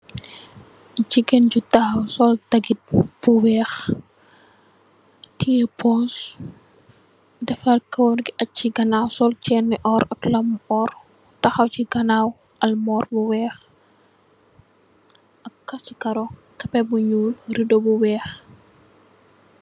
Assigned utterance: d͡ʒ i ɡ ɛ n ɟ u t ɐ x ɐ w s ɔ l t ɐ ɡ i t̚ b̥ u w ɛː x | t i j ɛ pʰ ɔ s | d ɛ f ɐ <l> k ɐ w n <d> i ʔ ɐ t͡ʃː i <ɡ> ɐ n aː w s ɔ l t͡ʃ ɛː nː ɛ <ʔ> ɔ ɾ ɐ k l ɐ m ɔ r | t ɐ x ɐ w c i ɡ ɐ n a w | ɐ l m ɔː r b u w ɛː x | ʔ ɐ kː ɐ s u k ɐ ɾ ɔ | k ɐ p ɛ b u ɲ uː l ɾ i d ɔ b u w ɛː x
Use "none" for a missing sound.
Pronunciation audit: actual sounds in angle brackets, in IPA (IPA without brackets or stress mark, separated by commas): l, ɡ, ɡ, ʔ